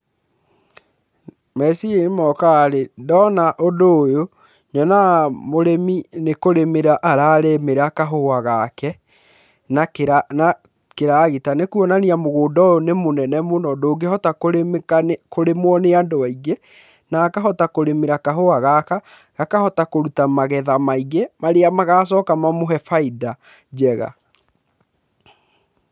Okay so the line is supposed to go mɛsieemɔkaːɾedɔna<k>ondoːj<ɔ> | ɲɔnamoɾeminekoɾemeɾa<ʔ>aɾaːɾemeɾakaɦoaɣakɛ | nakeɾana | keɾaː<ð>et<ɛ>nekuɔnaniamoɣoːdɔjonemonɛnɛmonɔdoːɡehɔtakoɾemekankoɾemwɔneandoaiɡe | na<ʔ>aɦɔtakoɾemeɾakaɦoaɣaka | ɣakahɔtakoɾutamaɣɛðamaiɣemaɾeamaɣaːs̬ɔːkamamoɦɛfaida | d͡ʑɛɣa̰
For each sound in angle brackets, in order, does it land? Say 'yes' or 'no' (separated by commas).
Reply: no, no, yes, no, no, no